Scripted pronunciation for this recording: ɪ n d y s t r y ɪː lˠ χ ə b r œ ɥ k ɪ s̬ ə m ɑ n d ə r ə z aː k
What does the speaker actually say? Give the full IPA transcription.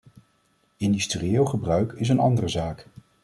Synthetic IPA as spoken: ɪ n d y s t r i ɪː lˠ χ ə b r œ ɥ k ɪ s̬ ə n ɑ n d ə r ə z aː k